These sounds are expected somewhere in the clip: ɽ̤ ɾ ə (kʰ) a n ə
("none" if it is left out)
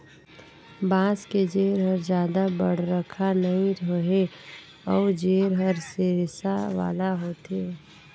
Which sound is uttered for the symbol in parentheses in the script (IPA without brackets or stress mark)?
kʰ